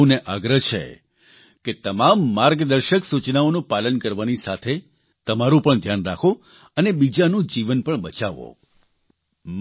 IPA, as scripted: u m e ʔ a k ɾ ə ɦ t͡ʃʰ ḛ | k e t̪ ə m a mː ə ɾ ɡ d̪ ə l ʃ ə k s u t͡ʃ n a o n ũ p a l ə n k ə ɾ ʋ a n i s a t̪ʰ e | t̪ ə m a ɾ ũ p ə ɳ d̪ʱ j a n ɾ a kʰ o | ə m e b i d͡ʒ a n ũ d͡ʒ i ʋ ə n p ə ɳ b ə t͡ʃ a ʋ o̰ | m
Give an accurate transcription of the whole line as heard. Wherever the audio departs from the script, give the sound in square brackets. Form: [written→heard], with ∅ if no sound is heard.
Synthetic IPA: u [m→n] e ʔ a [k→ɡ] ɾ ə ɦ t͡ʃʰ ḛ | k e t̪ ə m a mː [ə→a] ɾ ɡ d̪ ə [l→ɾ] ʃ ə k s u t͡ʃ n a o n ũ p a l ə n k ə ɾ ʋ a n i s a t̪ʰ e | t̪ ə m a ɾ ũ p ə ɳ d̪ʱ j a n ɾ a kʰ o | ə [m→n] e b i d͡ʒ a n ũ d͡ʒ i ʋ ə n p ə ɳ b ə t͡ʃ a ʋ o̰ | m